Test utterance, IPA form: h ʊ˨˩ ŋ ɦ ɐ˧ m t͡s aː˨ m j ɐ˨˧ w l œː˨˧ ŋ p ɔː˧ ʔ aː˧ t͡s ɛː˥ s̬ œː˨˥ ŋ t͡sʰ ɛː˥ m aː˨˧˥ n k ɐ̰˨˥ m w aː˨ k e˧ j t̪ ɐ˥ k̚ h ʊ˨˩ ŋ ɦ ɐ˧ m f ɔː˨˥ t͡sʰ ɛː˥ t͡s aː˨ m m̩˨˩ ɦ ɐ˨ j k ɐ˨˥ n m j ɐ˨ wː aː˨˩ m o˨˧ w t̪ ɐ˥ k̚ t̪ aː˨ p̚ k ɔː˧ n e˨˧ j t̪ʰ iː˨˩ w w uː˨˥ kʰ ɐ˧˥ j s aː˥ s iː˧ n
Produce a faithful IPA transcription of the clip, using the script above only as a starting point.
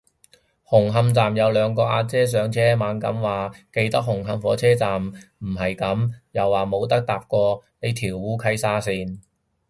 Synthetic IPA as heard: h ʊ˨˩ ŋ ɦ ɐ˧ m t͡s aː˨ m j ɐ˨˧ w l œː˨˧ ŋ k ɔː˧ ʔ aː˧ t͡s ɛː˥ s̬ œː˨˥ ŋ t͡sʰ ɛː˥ m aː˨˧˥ n k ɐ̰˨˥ m w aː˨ k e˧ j t̪ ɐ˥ k̚ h ʊ˨˩ ŋ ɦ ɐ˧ m f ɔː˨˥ t͡sʰ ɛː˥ t͡s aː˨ m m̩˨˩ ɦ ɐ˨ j k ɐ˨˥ m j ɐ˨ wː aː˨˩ m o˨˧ w t̪ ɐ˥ k̚ t̪ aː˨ p̚ k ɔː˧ n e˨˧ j t̪ʰ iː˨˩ w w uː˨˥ kʰ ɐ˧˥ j s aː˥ s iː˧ n